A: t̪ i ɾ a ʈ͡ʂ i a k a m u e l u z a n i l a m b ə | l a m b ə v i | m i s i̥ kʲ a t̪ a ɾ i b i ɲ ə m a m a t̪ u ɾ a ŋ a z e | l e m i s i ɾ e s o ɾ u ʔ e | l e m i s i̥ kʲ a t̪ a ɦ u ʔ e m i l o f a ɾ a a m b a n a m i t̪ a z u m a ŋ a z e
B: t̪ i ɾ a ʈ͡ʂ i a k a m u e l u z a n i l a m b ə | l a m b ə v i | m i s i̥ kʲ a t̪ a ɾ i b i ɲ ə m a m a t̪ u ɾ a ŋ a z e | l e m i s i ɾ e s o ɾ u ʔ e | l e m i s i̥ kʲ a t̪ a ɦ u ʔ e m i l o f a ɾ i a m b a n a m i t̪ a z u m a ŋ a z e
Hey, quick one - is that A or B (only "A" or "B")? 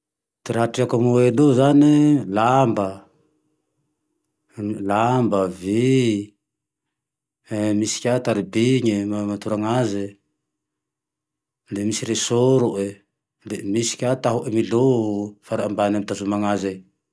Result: A